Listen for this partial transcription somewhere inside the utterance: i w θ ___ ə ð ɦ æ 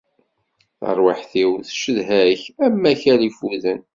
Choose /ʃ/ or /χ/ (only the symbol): ʃ